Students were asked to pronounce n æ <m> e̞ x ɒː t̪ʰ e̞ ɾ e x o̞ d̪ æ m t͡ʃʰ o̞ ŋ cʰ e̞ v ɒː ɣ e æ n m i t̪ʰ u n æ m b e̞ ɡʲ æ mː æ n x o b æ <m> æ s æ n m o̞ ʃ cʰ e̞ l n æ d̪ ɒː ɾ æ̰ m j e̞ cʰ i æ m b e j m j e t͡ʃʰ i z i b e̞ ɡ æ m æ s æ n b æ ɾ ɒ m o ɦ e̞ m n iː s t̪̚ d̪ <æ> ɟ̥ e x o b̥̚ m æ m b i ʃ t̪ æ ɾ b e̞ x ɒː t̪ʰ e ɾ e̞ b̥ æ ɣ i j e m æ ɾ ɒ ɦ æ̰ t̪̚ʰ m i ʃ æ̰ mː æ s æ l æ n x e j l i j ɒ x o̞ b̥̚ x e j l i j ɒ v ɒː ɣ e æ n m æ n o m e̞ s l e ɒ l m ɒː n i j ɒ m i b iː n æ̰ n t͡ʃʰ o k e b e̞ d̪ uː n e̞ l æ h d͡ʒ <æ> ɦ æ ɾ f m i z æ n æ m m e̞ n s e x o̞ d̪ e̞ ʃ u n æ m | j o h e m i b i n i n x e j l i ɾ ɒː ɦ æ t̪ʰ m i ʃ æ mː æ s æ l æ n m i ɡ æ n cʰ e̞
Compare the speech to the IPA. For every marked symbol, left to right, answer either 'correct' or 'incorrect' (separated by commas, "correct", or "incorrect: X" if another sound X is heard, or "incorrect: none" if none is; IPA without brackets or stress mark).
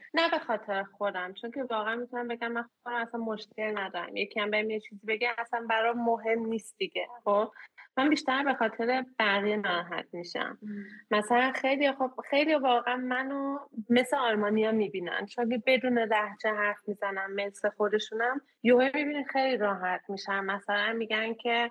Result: incorrect: b, correct, incorrect: i, incorrect: e